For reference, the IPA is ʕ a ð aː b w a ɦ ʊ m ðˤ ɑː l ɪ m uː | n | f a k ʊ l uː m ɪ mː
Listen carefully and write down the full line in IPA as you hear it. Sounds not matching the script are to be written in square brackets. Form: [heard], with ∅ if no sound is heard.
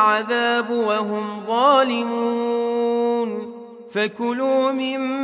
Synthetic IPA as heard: ʕ a ð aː b w a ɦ ʊ m ðˤ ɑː l ɪ m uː | n | f a k ʊ l uː m ɪ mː